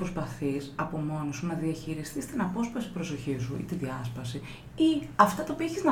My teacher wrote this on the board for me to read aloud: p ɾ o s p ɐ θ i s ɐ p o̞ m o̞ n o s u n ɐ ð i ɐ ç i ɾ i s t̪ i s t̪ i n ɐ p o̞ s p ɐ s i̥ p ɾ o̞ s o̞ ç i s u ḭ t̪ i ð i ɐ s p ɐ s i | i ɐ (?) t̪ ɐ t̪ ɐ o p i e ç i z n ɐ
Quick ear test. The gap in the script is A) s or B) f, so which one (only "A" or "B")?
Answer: B